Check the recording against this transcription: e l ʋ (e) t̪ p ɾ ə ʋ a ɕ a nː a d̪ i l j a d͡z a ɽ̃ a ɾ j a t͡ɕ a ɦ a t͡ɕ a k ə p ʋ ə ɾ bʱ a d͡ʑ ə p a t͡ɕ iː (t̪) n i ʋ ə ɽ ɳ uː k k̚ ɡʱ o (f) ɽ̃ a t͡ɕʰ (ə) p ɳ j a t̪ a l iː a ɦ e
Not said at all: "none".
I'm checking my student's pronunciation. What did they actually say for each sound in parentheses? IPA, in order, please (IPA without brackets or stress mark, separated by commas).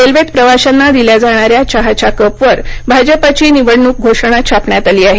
e, none, ʂ, a